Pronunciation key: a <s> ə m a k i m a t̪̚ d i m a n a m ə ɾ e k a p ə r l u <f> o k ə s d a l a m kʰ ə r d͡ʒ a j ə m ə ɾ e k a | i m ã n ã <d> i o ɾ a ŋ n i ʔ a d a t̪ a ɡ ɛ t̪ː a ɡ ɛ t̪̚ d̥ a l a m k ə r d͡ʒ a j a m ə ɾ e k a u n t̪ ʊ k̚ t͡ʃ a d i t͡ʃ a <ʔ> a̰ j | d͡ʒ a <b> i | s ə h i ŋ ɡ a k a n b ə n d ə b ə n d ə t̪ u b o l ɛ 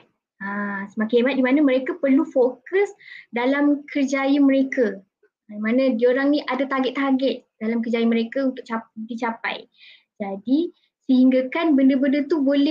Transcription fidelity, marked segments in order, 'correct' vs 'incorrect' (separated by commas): correct, correct, correct, incorrect, incorrect